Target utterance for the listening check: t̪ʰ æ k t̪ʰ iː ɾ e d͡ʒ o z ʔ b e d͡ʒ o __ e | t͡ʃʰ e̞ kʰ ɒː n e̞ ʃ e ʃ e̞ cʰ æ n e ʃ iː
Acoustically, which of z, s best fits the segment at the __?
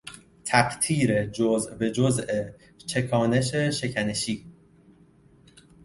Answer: z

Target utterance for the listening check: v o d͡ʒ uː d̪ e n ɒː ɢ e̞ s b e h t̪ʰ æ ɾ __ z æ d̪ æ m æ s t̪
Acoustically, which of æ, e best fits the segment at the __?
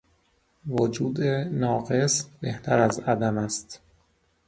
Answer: æ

